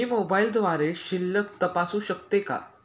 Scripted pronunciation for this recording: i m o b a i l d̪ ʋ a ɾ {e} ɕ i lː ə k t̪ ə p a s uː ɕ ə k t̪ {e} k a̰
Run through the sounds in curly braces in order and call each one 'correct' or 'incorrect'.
correct, correct

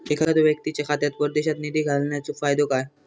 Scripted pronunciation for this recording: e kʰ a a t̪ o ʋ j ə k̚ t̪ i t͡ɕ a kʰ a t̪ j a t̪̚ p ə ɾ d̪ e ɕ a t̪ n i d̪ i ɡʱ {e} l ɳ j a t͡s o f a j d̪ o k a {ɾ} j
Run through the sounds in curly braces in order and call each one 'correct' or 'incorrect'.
incorrect: a, incorrect: none

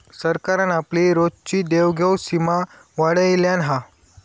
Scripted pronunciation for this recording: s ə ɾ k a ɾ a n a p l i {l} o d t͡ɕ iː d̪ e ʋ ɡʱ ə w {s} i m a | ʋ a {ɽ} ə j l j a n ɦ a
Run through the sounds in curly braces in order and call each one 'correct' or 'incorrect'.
incorrect: ɾ, correct, correct

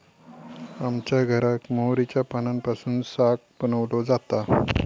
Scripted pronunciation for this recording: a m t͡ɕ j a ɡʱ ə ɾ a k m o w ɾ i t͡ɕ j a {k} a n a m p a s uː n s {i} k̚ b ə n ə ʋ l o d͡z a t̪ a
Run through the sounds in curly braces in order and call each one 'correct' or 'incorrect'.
incorrect: p, incorrect: a

